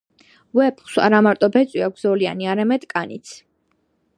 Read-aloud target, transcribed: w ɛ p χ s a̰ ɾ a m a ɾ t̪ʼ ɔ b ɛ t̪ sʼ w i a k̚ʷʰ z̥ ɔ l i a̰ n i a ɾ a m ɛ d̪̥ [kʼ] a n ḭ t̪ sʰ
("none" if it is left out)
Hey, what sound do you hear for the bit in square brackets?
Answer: kʼ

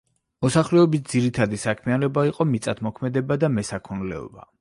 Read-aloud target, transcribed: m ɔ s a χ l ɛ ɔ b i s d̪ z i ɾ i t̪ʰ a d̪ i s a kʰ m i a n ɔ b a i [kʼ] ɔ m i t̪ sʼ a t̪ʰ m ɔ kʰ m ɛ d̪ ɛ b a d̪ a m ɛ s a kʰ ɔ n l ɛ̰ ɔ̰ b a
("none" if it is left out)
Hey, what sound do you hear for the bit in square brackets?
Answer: qʼ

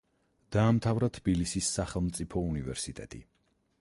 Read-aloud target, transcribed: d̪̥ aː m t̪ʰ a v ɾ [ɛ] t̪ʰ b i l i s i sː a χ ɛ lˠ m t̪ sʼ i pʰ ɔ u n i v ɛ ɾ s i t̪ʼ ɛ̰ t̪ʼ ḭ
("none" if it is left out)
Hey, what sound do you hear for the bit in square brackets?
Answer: a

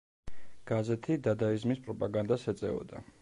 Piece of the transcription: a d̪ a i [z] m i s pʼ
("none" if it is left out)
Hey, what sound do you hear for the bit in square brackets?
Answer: z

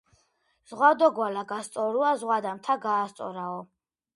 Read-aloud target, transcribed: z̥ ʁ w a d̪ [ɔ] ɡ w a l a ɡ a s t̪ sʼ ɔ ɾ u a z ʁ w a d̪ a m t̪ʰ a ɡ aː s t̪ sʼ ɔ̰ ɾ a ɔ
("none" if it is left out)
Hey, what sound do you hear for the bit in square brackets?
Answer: ɔ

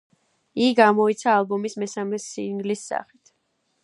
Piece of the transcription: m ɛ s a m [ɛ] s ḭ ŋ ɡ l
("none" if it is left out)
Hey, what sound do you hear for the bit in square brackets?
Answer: ɛ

